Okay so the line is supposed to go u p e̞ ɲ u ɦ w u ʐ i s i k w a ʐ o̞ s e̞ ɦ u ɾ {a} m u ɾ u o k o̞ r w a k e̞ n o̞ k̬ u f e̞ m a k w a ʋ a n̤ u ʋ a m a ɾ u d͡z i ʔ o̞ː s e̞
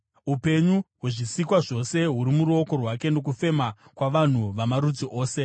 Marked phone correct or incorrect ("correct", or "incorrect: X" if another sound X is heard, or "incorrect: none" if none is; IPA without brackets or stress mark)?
incorrect: i